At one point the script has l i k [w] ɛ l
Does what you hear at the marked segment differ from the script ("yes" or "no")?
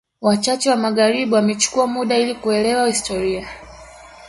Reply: yes